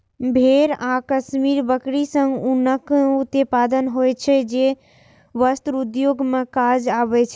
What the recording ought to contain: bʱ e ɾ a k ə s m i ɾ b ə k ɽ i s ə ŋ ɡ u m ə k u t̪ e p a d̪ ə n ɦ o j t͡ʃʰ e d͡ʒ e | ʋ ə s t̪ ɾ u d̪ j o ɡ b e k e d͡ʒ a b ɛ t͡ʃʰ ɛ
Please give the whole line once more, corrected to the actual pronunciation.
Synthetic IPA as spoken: bʱ e ɾ a k ə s m i ɾ b ə k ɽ i s ə ŋ ɡ u n ə k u t̪ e p a d̪ ə n ɦ o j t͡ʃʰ ɛ d͡ʒ e | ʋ ə s t̪ ɾ u d̪ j o ɡ m e k a d͡ʒ a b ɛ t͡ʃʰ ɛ